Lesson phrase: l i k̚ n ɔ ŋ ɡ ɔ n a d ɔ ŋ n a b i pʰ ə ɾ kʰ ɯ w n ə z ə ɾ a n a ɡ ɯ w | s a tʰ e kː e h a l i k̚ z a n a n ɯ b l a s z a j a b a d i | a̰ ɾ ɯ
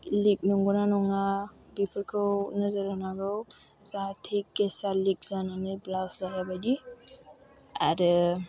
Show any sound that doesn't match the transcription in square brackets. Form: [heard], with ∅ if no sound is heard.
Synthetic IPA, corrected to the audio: l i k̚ n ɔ ŋ ɡ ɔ n a [n] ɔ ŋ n a b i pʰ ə ɾ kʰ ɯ w n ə z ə ɾ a n a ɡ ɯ w | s a tʰ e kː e [s] a l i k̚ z a n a n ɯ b l a s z a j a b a d i | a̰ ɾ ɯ